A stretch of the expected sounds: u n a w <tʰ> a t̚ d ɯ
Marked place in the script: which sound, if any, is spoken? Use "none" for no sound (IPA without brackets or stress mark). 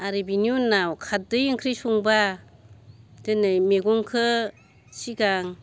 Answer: kʰ